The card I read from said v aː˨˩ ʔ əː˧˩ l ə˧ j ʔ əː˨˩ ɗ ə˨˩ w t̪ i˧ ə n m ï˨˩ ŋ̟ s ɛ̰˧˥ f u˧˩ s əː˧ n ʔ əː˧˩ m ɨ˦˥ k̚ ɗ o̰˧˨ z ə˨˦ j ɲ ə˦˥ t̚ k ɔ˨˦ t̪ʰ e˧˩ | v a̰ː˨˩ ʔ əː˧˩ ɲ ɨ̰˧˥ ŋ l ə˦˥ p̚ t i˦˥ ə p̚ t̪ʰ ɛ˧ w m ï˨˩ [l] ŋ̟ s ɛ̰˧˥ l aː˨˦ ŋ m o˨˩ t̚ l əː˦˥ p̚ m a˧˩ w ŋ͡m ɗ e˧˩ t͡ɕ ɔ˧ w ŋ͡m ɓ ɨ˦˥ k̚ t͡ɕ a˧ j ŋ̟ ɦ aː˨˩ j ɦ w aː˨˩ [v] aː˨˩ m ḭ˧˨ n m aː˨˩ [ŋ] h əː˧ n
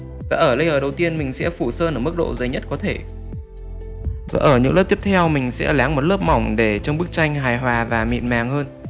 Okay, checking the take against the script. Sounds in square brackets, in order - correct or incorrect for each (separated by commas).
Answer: incorrect, correct, correct